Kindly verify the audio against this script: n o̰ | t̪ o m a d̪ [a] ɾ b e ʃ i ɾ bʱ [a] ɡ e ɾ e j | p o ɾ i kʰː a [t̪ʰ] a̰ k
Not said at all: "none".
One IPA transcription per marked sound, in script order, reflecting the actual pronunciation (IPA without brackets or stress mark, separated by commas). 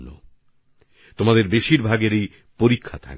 e, a, t̪ʰ